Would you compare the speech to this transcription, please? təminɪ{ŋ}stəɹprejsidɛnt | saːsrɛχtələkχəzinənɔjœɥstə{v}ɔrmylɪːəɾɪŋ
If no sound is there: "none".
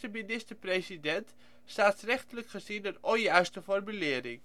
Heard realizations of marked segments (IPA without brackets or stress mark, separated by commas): none, f